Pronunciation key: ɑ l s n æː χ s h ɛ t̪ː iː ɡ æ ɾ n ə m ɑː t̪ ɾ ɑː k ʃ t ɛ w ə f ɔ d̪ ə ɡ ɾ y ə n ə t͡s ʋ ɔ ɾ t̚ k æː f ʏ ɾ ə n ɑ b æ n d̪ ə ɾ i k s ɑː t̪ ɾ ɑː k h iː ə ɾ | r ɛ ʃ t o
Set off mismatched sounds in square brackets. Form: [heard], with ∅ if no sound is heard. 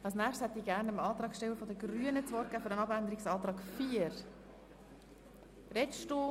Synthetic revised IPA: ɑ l s n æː χ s h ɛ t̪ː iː ɡ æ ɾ n ə m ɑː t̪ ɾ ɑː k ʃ t ɛ w ə f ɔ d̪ ə ɡ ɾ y ə n ə t͡s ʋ ɔ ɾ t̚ k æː f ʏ ɾ ə n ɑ b æ n d̪ ə ɾ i k s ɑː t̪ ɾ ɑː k [f] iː ə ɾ | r ɛ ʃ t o